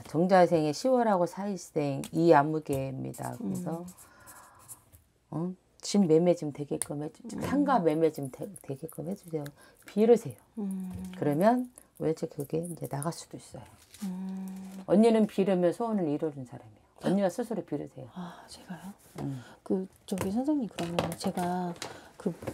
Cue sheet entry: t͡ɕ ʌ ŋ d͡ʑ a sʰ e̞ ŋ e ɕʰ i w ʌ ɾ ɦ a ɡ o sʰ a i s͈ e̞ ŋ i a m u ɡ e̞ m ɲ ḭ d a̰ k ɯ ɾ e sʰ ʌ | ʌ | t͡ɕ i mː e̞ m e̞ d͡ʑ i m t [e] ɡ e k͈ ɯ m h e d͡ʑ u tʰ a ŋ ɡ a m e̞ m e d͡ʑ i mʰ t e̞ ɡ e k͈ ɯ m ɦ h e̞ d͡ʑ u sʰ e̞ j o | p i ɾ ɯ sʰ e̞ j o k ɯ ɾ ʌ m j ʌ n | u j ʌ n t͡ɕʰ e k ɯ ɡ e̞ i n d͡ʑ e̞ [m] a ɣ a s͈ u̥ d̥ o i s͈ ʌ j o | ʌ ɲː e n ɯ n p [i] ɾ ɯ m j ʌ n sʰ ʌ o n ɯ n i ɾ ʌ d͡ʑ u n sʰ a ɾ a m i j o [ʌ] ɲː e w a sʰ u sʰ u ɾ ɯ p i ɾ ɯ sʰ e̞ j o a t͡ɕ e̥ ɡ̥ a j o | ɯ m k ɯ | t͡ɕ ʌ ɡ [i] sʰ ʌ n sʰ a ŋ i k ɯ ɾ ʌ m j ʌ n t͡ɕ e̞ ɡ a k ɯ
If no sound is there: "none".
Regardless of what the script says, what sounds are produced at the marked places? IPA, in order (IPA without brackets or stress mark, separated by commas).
e, n, i, ʌ, i